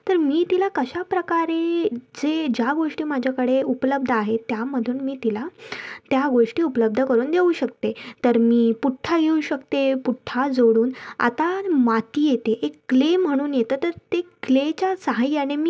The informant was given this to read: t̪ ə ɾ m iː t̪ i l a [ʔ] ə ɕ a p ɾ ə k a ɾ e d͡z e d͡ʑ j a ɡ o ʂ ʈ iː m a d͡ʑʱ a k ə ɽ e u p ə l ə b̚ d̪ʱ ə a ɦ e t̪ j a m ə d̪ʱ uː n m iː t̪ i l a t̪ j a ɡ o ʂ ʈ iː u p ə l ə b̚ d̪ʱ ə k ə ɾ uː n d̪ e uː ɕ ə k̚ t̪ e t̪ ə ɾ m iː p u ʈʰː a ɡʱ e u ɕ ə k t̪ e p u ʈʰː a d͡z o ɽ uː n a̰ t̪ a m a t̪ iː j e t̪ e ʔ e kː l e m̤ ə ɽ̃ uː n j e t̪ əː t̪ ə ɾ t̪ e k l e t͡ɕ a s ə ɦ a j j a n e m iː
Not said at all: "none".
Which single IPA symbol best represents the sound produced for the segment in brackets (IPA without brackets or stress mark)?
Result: k